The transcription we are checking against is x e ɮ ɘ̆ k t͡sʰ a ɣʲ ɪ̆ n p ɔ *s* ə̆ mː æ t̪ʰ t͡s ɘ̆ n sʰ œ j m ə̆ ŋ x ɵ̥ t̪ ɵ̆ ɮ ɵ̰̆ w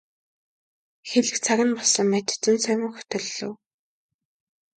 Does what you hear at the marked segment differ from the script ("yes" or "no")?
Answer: no